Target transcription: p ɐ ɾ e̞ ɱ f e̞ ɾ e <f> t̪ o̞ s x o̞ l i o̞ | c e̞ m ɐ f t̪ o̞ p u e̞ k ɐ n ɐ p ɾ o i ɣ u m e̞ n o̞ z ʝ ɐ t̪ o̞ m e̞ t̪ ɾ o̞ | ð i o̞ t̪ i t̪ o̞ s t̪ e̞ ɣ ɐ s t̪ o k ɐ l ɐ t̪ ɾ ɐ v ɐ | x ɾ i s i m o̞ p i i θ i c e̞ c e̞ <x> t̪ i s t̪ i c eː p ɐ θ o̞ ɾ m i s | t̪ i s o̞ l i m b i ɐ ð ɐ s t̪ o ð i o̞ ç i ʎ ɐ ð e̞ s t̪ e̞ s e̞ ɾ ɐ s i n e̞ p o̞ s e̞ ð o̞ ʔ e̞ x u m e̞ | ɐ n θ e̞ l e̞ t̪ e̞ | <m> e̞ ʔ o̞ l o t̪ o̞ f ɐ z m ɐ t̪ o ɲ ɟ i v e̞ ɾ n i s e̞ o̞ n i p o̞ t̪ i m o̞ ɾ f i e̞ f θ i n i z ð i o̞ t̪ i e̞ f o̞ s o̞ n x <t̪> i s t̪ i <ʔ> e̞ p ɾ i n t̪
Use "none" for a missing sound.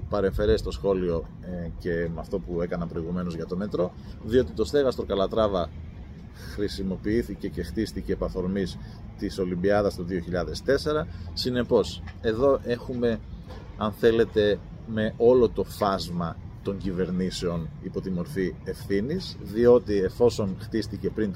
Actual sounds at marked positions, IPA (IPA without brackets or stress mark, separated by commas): s, x, m, t̪, c